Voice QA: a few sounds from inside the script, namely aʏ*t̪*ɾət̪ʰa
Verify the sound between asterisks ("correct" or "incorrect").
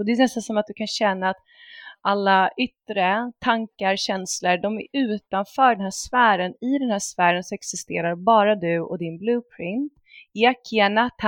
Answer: correct